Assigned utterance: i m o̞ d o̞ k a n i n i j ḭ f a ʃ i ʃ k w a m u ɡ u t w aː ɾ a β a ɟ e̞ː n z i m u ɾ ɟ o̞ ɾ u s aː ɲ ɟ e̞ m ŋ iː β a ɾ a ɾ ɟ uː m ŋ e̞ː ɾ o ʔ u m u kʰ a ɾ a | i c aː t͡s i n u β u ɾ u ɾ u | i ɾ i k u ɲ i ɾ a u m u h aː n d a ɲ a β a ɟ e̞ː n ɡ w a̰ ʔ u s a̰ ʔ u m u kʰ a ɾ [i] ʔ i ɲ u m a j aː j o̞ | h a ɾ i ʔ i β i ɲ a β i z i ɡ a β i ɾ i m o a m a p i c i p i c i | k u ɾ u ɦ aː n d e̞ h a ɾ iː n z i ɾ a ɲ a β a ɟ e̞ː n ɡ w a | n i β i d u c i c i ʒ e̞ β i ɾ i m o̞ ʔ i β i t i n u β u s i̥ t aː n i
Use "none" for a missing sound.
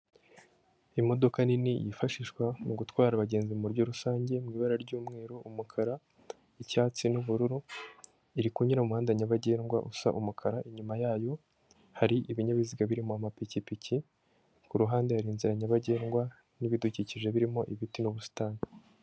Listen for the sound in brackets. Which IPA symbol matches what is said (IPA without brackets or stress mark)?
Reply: a